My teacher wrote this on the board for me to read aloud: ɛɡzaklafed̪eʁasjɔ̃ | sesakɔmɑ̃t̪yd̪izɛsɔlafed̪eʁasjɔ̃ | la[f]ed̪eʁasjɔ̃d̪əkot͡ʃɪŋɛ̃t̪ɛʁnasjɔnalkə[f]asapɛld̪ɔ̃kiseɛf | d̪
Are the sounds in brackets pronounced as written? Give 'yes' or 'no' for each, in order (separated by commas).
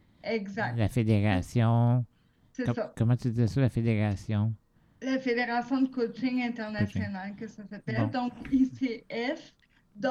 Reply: yes, no